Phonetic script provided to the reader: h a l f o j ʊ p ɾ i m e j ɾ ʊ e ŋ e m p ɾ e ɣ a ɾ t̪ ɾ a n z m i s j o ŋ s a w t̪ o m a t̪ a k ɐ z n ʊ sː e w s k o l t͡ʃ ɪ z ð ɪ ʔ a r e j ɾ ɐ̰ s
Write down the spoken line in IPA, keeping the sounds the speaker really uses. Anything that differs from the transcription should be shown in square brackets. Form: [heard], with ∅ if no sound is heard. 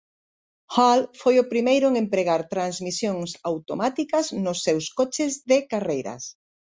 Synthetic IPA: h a l f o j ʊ p ɾ i m e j ɾ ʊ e ŋ e m p ɾ e ɣ a ɾ t̪ ɾ a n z m i s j o ŋ s a w t̪ o m a t̪ [i] k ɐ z n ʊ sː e w s k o [∅] t͡ʃ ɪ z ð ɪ [k] a r e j ɾ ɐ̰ s

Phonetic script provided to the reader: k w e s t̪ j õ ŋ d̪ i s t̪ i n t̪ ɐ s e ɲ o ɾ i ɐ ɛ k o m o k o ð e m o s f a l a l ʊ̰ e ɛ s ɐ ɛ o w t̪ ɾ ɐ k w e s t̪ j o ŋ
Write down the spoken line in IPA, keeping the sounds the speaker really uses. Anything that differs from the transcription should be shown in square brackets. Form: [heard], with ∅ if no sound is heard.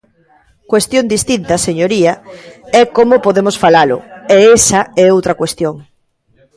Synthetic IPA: k w e s t̪ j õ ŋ d̪ i s t̪ i n t̪ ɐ s e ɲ o ɾ i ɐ ɛ k o m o [p] o ð e m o s f a l a l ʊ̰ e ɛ s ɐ ɛ o w t̪ ɾ ɐ k w e s t̪ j o ŋ

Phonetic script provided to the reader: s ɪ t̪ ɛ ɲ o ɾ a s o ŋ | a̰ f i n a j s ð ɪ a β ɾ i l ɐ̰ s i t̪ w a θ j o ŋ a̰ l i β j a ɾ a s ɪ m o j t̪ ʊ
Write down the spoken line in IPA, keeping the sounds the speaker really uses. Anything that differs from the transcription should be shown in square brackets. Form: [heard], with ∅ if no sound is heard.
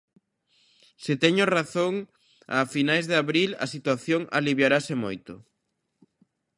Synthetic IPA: s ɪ t̪ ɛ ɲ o [r] a [θ] o ŋ | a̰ f i n a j [z] ð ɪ a β ɾ i l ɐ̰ s i t̪ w a θ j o ŋ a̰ l i β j a ɾ a s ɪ m o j t̪ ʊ

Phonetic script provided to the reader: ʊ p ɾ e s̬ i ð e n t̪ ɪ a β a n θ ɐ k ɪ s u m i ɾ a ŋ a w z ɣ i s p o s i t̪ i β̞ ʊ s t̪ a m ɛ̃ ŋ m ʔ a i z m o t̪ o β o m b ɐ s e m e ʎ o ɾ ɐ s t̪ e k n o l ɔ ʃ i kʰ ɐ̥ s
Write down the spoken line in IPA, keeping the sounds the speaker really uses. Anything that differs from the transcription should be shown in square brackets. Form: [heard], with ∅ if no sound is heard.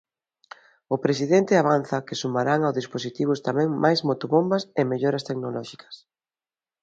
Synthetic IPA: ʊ p ɾ e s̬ i ð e n t̪ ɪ a β a n θ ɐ k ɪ s u m [a] ɾ a ŋ a w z [ð] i s p o s i t̪ i β̞ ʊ s t̪ a m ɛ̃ ŋ m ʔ a [j] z m o t̪ o β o m b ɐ s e m e ʎ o ɾ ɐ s t̪ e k n o l ɔ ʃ i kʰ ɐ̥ s

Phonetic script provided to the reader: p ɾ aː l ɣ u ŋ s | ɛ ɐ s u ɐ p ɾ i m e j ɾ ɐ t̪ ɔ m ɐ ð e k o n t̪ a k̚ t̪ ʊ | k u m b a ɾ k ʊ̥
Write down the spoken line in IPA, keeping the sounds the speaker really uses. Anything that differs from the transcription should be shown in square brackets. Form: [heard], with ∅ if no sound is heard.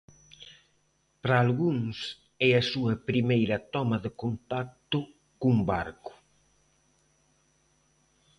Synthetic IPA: p ɾ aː l ɣ u ŋ s | ɛ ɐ s u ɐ p ɾ i m e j ɾ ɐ t̪ ɔ m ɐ ð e k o n t̪ a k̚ t̪ ʊ | k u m b a ɾ k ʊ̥

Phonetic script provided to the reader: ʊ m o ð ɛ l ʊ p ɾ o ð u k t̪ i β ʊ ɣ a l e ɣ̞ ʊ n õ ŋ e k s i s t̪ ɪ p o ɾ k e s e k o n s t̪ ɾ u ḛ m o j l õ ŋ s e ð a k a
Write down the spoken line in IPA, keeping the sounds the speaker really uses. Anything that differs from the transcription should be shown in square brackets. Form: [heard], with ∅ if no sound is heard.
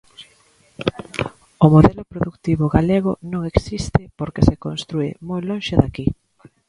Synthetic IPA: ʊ m o ð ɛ l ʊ p ɾ o ð u k t̪ i β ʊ ɣ a l e ɣ̞ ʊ n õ ŋ e k s i s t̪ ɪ p o ɾ k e s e k o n s t̪ ɾ u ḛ m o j l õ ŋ [ʃ] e ð a k [i]

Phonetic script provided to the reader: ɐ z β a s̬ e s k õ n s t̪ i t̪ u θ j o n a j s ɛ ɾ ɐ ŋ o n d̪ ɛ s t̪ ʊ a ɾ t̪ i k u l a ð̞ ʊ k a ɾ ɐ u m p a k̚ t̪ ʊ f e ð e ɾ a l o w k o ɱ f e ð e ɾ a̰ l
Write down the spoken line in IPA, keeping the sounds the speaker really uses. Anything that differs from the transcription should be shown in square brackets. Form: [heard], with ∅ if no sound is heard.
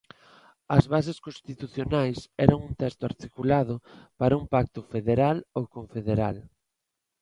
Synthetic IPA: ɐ z β a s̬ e s k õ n s t̪ i t̪ u θ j o n a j s ɛ ɾ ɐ ŋ [u] n [t̪] ɛ s t̪ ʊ a ɾ t̪ i k u l a ð̞ ʊ [p] a ɾ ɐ u m p a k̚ t̪ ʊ f e ð e ɾ a l o w k o ɱ f e ð e ɾ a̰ l

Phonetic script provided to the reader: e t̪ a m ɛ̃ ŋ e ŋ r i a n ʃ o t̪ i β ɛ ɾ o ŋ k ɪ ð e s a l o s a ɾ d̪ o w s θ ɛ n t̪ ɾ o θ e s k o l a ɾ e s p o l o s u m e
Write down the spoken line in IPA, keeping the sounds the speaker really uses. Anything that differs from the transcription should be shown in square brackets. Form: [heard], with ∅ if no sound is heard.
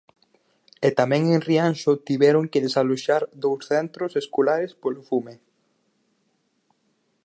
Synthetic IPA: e t̪ a m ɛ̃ ŋ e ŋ r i a n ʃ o t̪ i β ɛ ɾ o ŋ k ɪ ð e s a l o [ʃ] a ɾ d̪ o w s θ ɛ n t̪ ɾ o [s] e s k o l a ɾ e s p o l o [f] u m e

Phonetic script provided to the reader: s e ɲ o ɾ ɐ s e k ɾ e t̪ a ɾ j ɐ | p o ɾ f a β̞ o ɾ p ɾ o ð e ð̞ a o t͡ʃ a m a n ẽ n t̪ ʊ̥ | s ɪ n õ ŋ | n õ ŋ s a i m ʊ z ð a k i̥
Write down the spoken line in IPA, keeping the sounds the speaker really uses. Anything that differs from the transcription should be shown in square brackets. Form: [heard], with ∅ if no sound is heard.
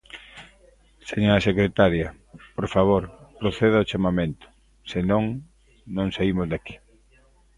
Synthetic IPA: s e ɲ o ɾ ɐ s e k ɾ e t̪ a ɾ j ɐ | p o ɾ f a β̞ o ɾ p ɾ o [θ] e ð̞ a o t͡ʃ a m a [m] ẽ n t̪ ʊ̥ | s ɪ n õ ŋ | n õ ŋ s a i m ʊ z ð a k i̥

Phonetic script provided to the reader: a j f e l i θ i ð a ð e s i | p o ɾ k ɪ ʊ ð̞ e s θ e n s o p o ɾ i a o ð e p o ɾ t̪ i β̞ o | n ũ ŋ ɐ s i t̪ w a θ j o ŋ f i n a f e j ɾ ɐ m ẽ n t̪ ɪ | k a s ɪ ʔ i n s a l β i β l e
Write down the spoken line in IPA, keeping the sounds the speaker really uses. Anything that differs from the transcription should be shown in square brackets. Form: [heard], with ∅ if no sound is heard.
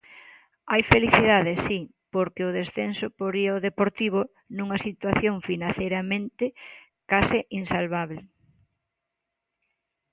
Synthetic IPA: a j f e l i θ i ð a ð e s i | p o ɾ k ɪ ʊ ð̞ e s θ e n s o p o ɾ i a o ð e p o ɾ t̪ i β̞ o | n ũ ŋ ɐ s i t̪ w a θ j o ŋ f i n a [θ] e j ɾ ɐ m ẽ n t̪ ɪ | k a s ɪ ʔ i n s a l β [a] β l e

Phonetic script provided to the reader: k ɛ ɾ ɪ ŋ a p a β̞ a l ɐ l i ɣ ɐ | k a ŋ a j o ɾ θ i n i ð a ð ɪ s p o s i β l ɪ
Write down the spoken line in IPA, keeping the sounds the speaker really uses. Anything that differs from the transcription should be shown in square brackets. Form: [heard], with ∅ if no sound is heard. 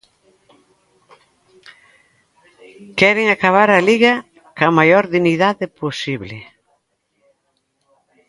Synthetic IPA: k ɛ ɾ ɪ ŋ a [k] a β̞ a [ɾ] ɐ l i ɣ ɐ | k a [m] a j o ɾ [ð] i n i ð a ð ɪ [∅] p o s i β l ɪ

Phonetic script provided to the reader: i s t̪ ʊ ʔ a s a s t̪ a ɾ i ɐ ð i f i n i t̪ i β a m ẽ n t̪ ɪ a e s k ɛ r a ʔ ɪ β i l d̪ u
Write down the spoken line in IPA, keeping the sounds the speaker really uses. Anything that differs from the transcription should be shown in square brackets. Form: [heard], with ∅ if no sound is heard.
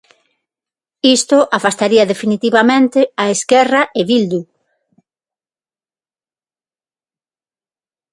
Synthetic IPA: i s t̪ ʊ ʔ a [f] a s t̪ a ɾ i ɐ ð [e] f i n i t̪ i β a m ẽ n t̪ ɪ a e s k ɛ r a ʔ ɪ β i l d̪ u

